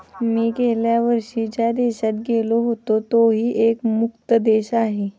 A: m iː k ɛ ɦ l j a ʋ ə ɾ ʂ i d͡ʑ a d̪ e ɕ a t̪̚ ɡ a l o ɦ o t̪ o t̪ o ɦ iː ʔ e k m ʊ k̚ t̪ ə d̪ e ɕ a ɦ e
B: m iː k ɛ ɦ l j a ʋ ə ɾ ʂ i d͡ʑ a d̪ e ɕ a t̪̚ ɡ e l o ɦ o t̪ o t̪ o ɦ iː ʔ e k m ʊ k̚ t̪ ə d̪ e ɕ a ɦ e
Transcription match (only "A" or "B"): B